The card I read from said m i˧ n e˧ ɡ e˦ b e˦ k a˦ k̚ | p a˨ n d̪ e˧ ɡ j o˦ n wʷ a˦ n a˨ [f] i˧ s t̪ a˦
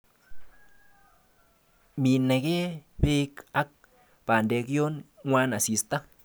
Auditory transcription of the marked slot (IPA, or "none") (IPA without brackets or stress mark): s